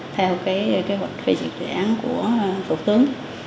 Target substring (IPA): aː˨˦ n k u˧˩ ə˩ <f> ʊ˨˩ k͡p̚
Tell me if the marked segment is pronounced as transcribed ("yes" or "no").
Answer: yes